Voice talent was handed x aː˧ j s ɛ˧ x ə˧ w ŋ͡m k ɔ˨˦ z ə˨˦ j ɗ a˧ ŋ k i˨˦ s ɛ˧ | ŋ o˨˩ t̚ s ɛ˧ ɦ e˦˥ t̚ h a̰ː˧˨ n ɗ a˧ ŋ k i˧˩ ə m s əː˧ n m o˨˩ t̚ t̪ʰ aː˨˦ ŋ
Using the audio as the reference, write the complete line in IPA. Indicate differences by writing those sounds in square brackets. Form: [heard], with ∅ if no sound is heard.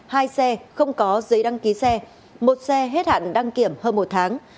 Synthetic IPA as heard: [h] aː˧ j s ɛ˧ x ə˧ w ŋ͡m k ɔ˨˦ z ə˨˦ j ɗ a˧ ŋ k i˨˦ s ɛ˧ | [m] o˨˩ t̚ s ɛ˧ ɦ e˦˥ t̚ h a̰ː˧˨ n ɗ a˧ ŋ k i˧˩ ə m [h] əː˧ n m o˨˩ t̚ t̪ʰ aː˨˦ ŋ